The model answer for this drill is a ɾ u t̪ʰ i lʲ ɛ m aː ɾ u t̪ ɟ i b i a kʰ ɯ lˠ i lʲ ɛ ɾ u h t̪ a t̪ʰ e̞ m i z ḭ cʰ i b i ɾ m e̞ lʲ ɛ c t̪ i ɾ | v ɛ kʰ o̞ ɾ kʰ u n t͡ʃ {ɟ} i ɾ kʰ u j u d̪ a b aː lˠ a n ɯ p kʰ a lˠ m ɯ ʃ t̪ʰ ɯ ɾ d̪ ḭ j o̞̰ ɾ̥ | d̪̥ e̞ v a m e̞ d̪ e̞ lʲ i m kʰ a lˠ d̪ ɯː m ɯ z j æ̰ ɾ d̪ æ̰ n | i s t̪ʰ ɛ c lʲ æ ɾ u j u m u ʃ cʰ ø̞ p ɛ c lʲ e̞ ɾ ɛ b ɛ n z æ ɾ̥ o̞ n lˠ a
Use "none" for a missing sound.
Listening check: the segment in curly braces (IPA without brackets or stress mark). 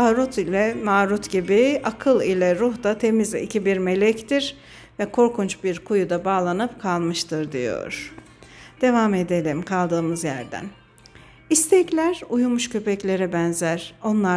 b